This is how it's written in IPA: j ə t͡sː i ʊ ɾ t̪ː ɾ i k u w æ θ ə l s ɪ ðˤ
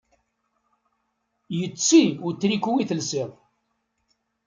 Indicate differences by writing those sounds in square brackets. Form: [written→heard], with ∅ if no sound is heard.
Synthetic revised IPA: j ə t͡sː i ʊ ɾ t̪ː ɾ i k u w [æ→i] θ ə l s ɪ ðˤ